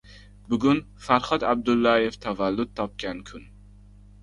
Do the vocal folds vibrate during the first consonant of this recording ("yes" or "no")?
yes